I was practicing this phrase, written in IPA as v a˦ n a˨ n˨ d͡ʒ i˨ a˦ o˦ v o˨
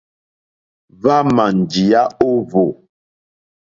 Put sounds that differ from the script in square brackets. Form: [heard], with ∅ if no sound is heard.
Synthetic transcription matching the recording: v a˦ [m] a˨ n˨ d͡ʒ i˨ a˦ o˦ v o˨